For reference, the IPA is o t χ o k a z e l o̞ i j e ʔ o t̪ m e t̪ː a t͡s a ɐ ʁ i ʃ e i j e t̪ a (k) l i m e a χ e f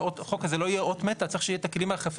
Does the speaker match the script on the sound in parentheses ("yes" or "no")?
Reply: yes